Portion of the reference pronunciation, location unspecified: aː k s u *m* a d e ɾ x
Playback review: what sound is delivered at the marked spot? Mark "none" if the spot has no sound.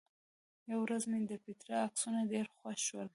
n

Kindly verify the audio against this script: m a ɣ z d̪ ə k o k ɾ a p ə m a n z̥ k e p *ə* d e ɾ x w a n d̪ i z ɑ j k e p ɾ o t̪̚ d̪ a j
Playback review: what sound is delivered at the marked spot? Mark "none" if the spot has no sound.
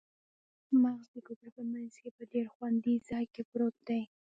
ə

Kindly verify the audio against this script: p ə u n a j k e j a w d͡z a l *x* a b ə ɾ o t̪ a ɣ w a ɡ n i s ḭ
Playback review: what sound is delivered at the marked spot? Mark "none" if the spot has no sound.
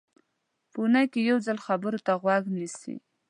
x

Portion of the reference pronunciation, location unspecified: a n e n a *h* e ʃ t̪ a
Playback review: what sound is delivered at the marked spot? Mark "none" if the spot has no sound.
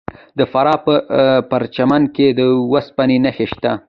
x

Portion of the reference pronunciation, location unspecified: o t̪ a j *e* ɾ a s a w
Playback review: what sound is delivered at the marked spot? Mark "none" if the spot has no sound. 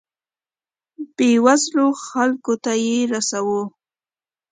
e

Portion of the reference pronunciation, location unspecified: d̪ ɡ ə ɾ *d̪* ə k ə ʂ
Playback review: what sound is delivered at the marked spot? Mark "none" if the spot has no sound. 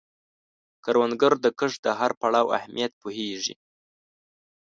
d̪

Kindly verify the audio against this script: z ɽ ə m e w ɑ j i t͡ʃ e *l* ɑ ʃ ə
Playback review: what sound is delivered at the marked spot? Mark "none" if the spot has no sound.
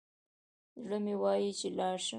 l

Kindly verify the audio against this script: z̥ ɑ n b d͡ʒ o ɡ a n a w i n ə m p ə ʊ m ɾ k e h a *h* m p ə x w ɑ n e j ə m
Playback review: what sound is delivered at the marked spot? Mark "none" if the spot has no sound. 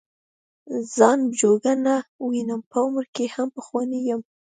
none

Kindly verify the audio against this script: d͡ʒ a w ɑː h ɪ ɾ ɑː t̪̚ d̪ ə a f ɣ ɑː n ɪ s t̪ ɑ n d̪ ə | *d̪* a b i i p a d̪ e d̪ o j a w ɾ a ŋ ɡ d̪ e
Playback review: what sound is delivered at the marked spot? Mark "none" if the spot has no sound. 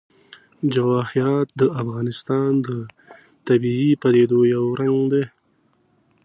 t̪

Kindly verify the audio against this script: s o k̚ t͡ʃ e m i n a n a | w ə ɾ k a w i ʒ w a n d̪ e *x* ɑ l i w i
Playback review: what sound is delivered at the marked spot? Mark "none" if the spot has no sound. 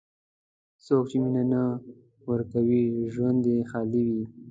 x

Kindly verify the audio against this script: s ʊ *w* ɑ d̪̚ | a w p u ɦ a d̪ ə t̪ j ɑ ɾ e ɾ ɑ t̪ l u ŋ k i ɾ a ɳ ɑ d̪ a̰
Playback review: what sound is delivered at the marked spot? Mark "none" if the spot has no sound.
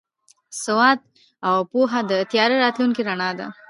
w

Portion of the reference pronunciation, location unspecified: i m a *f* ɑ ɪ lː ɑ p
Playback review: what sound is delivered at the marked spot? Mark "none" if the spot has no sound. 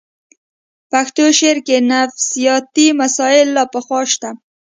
s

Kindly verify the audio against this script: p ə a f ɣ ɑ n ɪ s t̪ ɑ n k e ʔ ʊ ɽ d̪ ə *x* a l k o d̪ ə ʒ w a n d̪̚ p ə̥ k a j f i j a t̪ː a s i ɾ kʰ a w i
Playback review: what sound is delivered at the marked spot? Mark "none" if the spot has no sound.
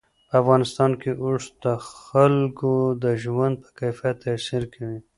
x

